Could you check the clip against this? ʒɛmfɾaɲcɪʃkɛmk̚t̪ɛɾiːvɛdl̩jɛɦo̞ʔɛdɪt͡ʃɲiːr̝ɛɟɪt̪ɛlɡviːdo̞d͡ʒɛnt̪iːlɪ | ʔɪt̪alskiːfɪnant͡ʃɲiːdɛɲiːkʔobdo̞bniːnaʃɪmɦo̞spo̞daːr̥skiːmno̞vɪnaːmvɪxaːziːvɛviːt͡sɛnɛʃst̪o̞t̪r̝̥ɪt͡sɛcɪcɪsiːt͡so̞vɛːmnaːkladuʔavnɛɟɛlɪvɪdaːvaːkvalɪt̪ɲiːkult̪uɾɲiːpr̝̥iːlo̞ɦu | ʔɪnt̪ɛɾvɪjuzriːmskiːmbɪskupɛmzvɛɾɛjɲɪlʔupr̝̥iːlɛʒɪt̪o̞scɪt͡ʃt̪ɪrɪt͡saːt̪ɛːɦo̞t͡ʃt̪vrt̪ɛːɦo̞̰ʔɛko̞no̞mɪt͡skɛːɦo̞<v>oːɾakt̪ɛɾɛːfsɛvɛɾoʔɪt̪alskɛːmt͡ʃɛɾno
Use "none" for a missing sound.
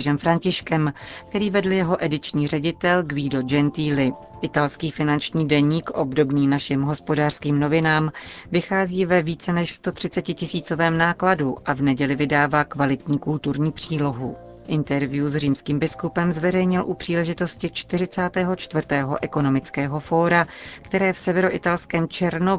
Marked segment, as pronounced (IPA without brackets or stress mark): f